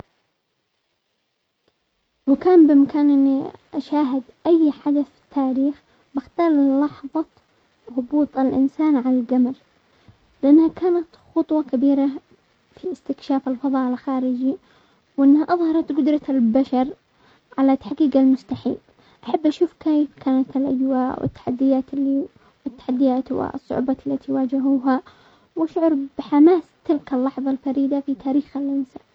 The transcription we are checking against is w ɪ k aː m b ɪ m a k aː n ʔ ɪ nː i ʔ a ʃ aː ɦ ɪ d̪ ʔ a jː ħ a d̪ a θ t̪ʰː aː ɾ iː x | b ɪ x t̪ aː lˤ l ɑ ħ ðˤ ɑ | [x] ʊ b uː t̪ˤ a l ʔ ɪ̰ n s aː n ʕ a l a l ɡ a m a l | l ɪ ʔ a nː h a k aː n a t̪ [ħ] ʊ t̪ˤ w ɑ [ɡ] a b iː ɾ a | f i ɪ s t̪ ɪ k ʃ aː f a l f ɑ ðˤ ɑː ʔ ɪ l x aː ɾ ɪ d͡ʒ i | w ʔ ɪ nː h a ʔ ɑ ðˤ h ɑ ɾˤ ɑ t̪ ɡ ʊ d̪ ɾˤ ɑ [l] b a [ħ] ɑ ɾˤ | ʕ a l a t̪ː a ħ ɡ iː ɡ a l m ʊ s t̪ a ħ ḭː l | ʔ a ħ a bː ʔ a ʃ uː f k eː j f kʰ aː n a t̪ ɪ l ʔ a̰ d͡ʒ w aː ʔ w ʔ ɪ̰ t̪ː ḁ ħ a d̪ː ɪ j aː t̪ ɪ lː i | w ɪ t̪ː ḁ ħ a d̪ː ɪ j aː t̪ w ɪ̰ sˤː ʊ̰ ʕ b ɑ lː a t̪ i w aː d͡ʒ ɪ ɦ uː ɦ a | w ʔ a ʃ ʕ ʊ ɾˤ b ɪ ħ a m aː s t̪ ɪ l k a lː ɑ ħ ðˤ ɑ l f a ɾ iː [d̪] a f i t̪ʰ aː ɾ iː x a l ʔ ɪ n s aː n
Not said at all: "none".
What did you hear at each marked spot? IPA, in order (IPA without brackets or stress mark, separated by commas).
ɣ, x, k, l, ʃ, d̪